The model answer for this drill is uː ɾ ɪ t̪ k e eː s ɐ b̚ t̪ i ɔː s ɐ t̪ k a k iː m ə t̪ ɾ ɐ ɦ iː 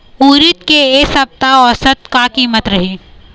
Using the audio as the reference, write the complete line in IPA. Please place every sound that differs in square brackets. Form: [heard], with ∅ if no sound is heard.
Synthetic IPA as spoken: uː ɾ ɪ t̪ k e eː s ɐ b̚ t̪ [a] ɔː s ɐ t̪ k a k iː m ə t̪ ɾ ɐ ɦ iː